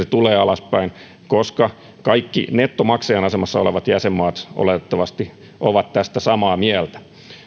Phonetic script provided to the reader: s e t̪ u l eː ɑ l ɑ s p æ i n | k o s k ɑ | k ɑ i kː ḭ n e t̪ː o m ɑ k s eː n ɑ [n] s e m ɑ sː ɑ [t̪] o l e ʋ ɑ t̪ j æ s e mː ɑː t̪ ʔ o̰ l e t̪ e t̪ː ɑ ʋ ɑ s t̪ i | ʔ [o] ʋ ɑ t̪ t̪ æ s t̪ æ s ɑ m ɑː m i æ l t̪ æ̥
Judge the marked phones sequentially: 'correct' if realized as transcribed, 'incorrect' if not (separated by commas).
incorrect, incorrect, correct